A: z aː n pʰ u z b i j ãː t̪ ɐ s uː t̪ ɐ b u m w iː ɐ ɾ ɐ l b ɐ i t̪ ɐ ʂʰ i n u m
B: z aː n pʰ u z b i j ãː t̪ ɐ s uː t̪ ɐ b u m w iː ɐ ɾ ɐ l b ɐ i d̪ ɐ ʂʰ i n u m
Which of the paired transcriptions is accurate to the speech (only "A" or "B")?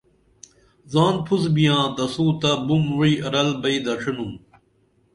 B